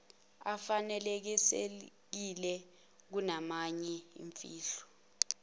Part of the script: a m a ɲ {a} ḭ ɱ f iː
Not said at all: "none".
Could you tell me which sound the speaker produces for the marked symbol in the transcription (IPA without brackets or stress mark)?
ɛ